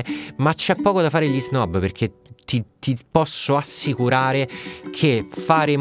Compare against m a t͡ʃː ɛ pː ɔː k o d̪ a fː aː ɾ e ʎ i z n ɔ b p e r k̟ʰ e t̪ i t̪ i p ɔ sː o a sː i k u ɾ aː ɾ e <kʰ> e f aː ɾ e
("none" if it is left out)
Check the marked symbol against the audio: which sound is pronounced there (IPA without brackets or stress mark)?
kʰ